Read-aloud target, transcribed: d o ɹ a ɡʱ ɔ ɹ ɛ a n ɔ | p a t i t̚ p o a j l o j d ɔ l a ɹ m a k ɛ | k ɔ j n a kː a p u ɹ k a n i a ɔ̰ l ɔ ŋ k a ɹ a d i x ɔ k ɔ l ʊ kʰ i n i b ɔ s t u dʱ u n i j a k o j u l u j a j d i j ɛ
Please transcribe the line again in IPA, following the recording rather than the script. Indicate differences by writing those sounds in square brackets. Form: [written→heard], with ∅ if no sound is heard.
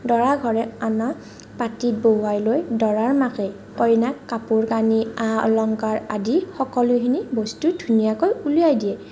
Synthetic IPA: d [o→ɔ] ɹ a ɡʱ ɔ ɹ ɛ a n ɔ | p a t i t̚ [p→b] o a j l o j d ɔ [l→ɹ] a ɹ m a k ɛ | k ɔ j n a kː a p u ɹ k a n i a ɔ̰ l ɔ ŋ k a ɹ a d i x ɔ k ɔ l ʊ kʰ i n i b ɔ s t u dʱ u n i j a k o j u l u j a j d i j ɛ